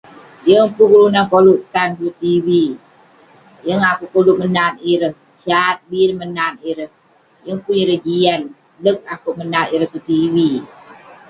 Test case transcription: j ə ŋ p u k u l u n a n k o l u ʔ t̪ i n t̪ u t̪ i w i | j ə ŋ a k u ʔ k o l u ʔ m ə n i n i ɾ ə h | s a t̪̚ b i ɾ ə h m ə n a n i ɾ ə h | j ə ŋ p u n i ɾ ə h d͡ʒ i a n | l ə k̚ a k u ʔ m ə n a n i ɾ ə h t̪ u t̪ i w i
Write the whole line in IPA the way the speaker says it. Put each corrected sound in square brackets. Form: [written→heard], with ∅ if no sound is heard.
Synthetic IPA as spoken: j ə ŋ p u k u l u n a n k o l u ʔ t̪ [i→a] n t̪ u t̪ i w i | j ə ŋ a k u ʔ k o l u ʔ m ə n [i→a] n i ɾ ə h | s a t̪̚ b i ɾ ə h m ə n a n i ɾ ə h | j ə ŋ p u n i ɾ ə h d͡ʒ i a n | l ə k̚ a k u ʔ m ə n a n i ɾ ə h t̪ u t̪ i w i